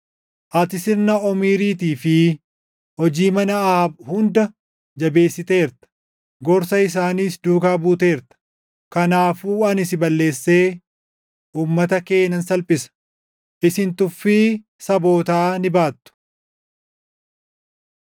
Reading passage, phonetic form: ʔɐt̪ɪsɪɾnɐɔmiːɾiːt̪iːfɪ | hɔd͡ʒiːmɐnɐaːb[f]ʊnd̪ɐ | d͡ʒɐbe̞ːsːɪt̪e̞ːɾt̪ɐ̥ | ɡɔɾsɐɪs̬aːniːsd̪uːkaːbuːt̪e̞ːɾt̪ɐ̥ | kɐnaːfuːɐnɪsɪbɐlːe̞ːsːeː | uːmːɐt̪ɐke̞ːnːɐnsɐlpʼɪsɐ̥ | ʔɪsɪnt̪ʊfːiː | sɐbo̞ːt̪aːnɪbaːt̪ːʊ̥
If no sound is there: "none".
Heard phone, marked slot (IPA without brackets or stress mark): h